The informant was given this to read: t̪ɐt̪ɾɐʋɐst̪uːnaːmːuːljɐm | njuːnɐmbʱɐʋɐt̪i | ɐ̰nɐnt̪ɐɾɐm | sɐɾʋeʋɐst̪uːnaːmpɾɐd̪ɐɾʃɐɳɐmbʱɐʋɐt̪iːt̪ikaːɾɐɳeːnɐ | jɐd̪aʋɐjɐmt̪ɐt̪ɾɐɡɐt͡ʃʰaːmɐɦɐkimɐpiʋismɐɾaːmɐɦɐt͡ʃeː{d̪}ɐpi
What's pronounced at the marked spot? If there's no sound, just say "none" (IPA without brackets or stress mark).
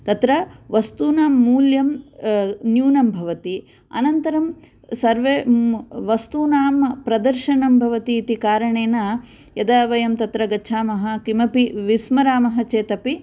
t̪